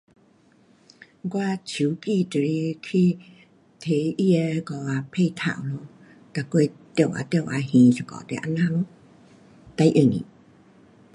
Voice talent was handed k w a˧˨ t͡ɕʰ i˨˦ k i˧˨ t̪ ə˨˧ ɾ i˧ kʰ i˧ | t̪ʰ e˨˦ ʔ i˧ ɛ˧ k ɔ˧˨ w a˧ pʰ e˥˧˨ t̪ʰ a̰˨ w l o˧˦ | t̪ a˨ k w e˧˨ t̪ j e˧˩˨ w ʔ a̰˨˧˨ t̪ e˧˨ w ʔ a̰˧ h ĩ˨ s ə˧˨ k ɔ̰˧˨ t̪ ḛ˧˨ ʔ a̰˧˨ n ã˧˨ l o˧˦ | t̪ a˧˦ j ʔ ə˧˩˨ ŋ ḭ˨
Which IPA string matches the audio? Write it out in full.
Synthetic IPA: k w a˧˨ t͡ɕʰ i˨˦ k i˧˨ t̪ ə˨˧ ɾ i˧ kʰ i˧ | t̪ʰ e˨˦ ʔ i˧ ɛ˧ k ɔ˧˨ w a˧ pʰ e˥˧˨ t̪ʰ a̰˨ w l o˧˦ | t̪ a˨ k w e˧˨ t̪ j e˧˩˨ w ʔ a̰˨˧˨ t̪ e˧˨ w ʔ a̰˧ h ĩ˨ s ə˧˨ k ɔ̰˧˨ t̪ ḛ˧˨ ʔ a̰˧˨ n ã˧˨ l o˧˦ | t̪ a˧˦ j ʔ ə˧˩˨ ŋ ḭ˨